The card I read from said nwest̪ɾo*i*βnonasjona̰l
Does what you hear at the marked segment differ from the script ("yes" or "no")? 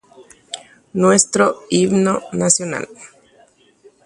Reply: no